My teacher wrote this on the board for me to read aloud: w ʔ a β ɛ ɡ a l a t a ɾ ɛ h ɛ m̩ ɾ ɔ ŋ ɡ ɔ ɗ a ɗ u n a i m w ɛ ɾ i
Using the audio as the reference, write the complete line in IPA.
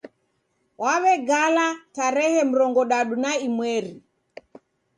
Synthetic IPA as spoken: w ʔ a β ɛ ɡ a l a t a ɾ ɛ h ɛ m̩ ɾ ɔ ŋ ɡ ɔ ɗ a ɗ u n a i m w ɛ ɾ i